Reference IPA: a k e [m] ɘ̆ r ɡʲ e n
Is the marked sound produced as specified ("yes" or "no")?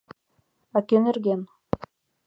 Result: no